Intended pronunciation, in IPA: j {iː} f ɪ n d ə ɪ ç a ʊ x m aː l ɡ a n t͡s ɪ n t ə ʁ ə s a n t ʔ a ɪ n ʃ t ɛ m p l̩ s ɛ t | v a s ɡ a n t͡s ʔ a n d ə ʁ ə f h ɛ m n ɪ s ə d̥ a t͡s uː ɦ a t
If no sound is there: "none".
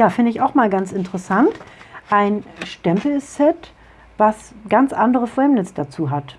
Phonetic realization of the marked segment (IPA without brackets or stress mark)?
aː